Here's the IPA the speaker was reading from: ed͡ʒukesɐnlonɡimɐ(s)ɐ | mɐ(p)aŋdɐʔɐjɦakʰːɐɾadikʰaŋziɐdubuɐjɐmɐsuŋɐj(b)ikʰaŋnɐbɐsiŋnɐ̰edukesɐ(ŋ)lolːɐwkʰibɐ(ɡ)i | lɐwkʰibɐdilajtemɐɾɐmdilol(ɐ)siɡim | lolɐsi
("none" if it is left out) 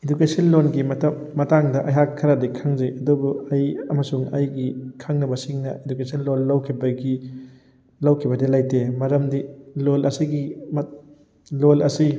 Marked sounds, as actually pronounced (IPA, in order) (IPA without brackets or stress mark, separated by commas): t, t, ɡ, n, ɡ, ɐ